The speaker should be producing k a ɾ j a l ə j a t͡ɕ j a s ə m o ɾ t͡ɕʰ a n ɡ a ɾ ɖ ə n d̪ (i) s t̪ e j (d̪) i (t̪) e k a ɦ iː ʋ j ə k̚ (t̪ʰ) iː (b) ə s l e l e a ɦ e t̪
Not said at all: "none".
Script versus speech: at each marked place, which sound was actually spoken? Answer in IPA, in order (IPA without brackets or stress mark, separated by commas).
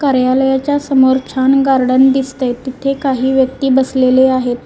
i, t̪, t̪ʰ, t̪, b